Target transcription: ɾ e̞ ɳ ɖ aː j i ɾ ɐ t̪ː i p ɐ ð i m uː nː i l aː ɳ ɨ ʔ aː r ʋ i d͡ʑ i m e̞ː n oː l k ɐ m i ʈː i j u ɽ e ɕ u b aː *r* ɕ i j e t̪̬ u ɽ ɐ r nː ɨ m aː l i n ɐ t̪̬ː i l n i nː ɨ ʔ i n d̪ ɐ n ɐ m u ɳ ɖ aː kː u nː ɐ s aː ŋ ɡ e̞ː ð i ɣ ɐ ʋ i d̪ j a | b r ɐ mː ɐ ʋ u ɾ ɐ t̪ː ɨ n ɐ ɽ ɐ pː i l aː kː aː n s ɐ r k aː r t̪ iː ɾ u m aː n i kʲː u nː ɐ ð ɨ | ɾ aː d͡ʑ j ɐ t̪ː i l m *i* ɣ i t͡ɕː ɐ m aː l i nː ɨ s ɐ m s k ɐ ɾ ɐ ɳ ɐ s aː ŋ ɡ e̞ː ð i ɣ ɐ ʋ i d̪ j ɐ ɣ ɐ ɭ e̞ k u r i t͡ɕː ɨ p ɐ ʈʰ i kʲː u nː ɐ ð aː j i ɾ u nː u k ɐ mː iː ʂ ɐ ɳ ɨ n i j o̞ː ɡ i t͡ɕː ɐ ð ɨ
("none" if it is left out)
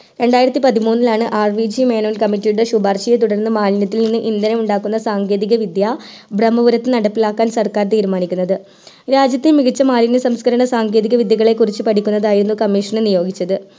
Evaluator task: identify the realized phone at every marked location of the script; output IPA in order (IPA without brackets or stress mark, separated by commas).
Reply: r, i